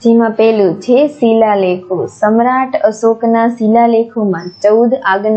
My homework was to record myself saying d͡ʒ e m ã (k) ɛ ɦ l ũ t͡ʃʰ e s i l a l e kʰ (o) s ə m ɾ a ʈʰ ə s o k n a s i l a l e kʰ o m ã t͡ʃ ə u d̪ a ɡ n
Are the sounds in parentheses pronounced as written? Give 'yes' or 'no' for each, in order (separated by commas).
no, yes